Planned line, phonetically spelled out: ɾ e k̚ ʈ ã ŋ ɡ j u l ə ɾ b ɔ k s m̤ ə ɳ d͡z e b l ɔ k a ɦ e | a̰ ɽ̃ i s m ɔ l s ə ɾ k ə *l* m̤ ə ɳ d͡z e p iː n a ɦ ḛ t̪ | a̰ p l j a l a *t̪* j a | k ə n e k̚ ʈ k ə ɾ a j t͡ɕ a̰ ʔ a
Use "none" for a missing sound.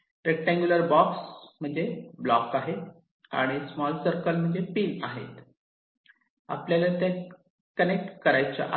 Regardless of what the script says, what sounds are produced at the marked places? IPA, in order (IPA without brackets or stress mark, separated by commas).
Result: l, t̪